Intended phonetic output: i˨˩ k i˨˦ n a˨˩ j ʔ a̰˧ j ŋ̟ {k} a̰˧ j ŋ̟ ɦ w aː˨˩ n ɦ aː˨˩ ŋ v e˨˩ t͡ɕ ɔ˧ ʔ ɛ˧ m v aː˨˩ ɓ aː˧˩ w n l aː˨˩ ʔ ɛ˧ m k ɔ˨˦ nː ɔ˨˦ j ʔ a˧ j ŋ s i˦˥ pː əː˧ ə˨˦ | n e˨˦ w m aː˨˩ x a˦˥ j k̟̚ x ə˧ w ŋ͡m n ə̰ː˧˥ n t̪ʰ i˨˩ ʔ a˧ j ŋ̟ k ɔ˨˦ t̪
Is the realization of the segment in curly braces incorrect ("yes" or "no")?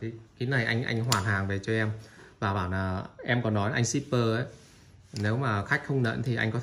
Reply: yes